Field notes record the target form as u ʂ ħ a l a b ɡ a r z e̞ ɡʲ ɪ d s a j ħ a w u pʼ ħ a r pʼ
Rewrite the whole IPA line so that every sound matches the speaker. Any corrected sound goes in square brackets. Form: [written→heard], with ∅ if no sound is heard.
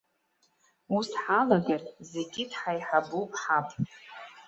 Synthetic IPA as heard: u [ʂ→s] ħ a l a [b→∅] ɡ a r z e̞ ɡʲ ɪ d [s→ħ] a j ħ a [w→b] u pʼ ħ a [r→∅] pʼ

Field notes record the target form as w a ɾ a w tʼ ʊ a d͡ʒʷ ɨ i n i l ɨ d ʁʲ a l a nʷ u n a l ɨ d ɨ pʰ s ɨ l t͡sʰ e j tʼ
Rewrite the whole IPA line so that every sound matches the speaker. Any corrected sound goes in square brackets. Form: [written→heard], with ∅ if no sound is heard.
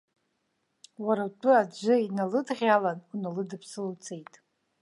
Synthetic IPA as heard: w a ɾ a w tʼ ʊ a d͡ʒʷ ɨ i n [i→a] l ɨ d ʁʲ a l a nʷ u n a l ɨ d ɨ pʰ s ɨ l t͡sʰ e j tʼ

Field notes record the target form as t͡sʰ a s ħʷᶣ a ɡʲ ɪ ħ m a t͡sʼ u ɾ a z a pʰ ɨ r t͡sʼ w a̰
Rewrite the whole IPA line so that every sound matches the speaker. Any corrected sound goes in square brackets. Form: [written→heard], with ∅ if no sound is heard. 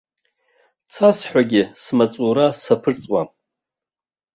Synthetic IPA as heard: t͡sʰ a s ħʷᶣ a ɡʲ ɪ [ħ→s] m a t͡sʼ u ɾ a [z→s] a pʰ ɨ r t͡sʼ w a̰

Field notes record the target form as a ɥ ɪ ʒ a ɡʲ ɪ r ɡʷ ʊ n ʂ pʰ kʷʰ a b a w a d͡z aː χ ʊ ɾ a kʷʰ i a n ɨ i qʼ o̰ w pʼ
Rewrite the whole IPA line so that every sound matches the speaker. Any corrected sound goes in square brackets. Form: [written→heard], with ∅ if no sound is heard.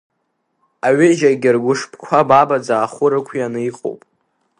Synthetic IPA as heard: a ɥ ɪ ʒ a ɡʲ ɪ r ɡʷ ʊ [n→∅] ʂ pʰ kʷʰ a b a [w→b] a d͡z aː χ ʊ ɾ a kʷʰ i a n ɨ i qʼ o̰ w pʼ

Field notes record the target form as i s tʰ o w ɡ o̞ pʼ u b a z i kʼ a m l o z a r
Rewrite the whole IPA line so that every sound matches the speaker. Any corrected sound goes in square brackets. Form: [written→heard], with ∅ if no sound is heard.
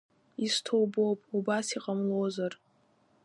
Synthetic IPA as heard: i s tʰ o w [ɡ→b] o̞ pʼ u b a [z→s] i [kʼ→qʼ] a m l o z a r

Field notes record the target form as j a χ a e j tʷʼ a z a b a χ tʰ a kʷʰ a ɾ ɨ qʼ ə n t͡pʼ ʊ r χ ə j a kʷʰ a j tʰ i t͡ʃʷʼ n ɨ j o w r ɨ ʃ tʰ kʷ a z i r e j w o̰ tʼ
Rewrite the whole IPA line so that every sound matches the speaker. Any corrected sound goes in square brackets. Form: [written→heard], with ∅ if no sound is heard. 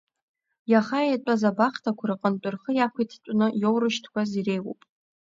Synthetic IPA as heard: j a χ a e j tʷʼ a z a b a χ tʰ a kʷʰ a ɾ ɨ qʼ ə n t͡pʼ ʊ r χ ə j a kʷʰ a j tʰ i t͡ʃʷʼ n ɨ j o w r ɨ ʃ tʰ kʷ a z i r e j w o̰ [tʼ→pʼ]

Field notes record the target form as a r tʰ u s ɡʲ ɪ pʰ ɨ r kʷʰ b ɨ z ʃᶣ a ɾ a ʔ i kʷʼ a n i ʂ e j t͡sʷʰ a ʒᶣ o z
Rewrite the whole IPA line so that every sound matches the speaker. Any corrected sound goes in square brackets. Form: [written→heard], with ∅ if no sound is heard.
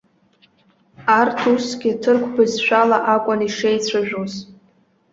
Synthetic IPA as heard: a r tʰ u s ɡʲ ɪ [pʰ→tʰ] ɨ r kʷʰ b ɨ z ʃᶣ a [ɾ→l] a ʔ [i→a] kʷʼ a n i ʂ e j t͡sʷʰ a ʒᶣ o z

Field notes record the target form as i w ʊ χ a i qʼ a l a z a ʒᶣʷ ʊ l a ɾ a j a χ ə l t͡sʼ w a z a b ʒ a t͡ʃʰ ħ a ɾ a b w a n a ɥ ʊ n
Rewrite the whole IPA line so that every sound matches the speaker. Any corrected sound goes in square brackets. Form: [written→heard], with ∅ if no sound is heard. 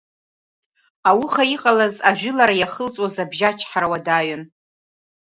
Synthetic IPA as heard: [i→a] w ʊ χ a i qʼ a l a z a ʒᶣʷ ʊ l a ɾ a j a χ ə l t͡sʼ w a z a b ʒ a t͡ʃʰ ħ a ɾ a [b→∅] w a [n→d] a ɥ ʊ n

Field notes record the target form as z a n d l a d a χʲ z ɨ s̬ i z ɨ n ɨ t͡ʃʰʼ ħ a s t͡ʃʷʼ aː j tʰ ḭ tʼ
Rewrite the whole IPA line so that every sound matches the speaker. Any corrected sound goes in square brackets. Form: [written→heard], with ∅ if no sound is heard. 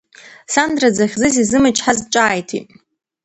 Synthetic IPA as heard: [z→s] a n d [l→r] a [d→d͡z] a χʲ z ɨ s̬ i z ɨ [n→m] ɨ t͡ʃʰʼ ħ a [s→z] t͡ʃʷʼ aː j tʰ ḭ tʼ

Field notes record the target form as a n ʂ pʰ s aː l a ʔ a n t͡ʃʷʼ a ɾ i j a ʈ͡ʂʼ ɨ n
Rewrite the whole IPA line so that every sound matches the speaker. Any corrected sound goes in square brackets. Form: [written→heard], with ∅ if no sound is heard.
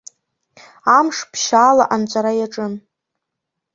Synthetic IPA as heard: a [n→m] ʂ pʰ [s→ʃ] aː l a ʔ a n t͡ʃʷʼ a ɾ [i→a] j a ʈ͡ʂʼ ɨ n

